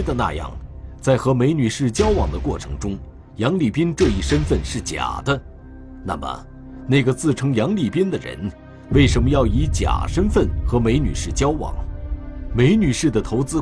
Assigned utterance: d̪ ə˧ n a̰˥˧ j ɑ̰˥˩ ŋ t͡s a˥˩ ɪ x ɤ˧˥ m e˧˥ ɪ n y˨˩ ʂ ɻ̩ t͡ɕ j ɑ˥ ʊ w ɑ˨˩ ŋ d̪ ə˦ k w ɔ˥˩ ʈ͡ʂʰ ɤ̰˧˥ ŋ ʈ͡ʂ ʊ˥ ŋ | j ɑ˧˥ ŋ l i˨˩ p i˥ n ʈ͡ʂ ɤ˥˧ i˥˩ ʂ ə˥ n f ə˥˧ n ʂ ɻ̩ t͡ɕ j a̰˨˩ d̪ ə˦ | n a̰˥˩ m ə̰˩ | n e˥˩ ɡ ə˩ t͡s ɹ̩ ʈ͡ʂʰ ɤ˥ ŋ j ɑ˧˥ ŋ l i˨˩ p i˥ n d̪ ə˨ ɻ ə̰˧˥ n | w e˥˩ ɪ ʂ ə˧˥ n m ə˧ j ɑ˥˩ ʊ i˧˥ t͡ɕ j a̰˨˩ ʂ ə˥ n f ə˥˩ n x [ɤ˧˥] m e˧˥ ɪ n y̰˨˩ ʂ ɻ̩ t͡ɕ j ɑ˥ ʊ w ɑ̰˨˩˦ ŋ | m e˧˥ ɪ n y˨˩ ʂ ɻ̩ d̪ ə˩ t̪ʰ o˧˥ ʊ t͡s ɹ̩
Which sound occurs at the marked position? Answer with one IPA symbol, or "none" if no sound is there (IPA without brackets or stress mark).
ɤ˧˥